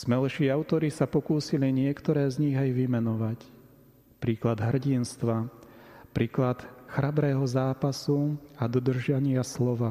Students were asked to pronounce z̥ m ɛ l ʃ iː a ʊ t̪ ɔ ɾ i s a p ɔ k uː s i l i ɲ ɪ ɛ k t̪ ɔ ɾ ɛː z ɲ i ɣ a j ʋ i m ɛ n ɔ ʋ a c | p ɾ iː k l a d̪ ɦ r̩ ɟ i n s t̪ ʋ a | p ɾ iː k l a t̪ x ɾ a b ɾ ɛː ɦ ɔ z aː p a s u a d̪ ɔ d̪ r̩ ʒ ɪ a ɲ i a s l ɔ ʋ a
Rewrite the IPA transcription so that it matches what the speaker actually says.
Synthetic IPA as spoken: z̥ m ɛ l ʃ iː a ʊ t̪ ɔ ɾ i s a p ɔ k uː s i l i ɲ ɪ ɛ k t̪ ɔ ɾ ɛː z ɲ i ɣ a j ʋ i m ɛ n ɔ ʋ a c | p ɾ iː k l a d̪ ɦ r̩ ɟ i n s t̪ ʋ a | p ɾ iː k l a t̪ x ɾ a b ɾ ɛː ɦ ɔ z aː p a s u a d̪ ɔ d̪ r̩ ʒ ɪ a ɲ ɪ a s l ɔ ʋ a